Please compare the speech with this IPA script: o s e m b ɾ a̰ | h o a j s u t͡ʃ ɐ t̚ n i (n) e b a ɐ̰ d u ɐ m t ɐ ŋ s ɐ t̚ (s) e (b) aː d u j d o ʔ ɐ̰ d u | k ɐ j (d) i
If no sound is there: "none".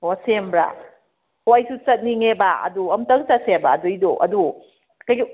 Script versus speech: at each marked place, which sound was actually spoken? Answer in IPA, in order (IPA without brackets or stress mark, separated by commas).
ŋ, s, b, ɡ